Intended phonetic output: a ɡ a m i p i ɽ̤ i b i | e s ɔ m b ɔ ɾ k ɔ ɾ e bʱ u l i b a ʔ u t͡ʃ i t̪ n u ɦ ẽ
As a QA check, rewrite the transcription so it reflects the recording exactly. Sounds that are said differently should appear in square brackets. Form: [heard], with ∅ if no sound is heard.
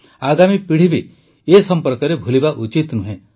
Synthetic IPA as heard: a ɡ a m i p i ɽ̤ i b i | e s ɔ m [p] ɔ ɾ k ɔ ɾ e bʱ u l i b a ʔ u t͡ʃ i t̪ n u ɦ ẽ